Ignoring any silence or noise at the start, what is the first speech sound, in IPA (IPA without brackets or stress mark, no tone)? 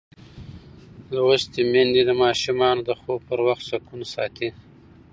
l